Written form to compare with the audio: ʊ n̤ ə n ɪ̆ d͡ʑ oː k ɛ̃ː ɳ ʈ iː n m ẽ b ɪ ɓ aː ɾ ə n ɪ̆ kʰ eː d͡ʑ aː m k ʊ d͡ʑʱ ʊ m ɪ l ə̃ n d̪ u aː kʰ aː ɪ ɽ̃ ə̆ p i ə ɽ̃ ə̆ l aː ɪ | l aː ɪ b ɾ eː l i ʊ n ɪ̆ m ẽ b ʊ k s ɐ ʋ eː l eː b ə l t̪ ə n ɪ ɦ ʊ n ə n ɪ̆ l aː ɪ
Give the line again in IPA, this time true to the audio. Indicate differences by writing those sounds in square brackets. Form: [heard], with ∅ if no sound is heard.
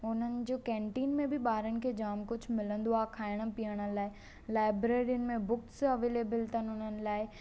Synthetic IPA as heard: ʊ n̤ ə n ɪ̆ d͡ʑ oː k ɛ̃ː ɳ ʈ iː n m ẽ b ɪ ɓ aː ɾ ə n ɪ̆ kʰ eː d͡ʑ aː m k ʊ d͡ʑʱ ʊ m ɪ l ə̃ n d̪ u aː kʰ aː ɪ ɽ̃ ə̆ p i ə ɽ̃ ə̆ l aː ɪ | l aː ɪ b ɾ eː [ɾ] i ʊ n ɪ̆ m ẽ b ʊ k s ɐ ʋ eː l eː b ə l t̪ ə n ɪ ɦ ʊ n ə n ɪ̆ l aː ɪ